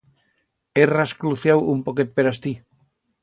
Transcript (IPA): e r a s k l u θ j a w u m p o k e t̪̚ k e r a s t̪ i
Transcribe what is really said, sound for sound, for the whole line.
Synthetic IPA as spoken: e r a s k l u θ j a w u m p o k e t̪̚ p e ɾ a s t̪ i